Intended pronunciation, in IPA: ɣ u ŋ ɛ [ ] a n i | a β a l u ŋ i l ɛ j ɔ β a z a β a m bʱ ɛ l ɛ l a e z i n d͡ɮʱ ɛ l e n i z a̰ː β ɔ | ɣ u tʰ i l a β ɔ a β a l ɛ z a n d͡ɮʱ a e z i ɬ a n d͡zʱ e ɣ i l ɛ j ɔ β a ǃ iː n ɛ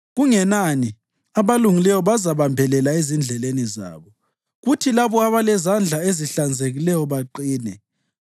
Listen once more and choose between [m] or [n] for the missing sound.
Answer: n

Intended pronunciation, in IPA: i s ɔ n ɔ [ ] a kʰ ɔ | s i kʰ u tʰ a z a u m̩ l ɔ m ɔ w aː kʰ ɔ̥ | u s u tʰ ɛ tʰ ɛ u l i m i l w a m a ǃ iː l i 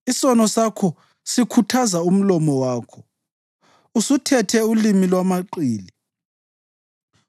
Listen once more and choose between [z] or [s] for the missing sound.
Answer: s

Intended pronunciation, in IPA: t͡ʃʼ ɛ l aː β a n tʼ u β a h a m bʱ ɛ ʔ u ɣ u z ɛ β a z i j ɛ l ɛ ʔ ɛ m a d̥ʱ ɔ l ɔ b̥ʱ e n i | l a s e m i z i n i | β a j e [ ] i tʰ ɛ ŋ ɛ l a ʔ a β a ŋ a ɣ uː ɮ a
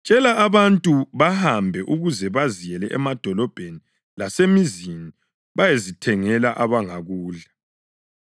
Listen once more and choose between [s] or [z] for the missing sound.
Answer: z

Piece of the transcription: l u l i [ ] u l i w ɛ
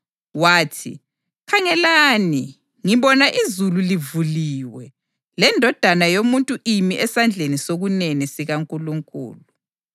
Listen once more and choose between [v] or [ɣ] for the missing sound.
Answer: v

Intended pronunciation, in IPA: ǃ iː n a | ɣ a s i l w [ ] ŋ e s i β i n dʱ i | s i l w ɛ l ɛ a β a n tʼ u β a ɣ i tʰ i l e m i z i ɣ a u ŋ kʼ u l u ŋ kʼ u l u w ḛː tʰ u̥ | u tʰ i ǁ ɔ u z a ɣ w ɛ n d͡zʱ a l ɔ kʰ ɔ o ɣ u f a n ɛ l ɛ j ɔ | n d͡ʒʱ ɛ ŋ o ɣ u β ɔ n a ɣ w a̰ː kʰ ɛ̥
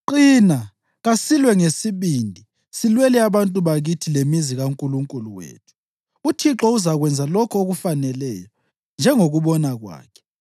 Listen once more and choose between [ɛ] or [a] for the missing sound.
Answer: ɛ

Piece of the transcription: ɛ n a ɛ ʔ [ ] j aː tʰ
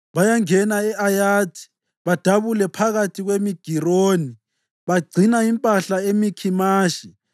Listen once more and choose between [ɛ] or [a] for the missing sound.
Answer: a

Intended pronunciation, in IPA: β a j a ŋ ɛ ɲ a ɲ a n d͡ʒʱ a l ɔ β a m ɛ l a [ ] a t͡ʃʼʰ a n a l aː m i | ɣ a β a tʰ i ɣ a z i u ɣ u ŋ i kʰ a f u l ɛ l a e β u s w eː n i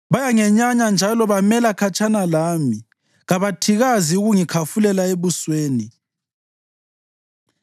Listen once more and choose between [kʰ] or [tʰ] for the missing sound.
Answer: kʰ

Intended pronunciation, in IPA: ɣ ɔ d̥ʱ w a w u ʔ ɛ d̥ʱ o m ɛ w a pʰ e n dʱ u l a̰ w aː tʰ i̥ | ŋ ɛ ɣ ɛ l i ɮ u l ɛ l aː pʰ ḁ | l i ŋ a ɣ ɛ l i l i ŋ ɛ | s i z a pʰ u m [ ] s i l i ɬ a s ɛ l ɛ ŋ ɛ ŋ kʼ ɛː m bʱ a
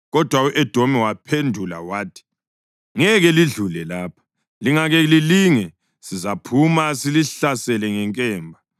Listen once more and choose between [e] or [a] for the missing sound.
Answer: a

